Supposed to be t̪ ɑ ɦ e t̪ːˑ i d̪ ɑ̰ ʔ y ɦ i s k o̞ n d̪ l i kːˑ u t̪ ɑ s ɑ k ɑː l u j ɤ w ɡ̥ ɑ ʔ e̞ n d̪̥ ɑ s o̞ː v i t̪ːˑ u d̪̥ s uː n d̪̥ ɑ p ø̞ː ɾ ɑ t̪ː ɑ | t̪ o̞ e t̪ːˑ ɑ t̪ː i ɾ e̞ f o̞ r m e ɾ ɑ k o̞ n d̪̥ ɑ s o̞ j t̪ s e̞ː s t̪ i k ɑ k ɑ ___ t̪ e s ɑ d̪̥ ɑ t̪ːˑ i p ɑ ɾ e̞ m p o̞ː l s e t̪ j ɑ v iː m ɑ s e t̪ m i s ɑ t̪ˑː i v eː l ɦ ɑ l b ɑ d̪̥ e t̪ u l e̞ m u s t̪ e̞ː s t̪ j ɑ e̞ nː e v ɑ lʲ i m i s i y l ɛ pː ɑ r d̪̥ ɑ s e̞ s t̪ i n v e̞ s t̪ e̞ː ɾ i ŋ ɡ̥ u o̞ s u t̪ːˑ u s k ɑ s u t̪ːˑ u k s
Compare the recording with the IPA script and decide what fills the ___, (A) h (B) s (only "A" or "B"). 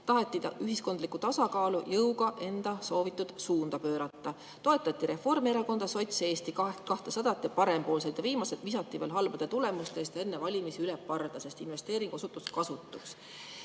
A